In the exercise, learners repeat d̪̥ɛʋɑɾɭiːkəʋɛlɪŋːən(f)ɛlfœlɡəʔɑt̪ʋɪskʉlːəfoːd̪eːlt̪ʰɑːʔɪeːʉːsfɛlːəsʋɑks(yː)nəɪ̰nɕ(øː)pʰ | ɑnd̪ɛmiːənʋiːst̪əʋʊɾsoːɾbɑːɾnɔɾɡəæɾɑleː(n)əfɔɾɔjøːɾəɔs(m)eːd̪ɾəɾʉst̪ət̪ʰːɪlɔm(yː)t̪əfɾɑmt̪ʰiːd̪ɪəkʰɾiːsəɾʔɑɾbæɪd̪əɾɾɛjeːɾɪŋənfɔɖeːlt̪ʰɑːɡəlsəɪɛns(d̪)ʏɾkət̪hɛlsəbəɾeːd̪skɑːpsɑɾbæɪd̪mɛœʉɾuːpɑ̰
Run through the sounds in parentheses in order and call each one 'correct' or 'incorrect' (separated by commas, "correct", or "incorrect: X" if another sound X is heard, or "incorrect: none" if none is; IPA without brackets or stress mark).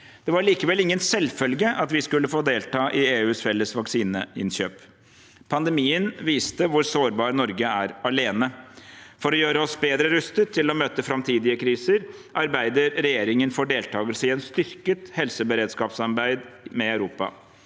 incorrect: s, incorrect: iː, correct, correct, incorrect: b, incorrect: øː, incorrect: t̪